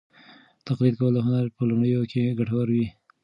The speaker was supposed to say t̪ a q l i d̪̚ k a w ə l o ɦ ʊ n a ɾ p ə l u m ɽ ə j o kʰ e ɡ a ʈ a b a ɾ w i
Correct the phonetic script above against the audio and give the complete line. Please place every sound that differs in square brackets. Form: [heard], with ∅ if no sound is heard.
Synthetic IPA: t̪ a q l i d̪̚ k a w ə l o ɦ ʊ n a ɾ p ə l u m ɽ ə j o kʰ e ɡ a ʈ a [w] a ɾ w i